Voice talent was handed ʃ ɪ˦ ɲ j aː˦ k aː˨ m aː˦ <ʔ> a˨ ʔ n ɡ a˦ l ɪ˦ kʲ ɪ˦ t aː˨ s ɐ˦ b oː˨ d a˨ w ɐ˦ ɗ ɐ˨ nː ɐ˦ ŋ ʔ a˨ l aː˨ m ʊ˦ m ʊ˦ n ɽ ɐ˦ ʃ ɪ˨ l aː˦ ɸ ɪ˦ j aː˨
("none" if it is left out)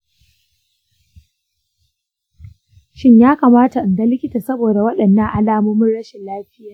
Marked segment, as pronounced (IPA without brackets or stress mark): t